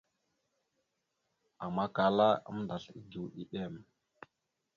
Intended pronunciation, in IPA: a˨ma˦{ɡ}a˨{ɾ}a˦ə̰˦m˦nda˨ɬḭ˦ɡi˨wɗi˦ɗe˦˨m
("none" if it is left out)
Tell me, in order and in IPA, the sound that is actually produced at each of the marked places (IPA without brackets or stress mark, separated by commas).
k, l